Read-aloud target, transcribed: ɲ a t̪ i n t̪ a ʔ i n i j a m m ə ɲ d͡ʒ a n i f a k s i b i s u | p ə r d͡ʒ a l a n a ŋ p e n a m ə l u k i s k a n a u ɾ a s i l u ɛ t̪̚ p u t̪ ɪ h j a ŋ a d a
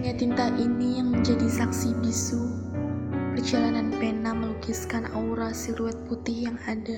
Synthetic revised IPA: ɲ a t̪ i n t̪ a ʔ i n i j a ŋ m ə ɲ d͡ʒ a d i s a k s i b i s u | p ə r d͡ʒ a l a n a n p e n a m ə l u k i s k a n a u ɾ a s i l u ɛ t̪̚ p u t̪ ɪ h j a ŋ a d a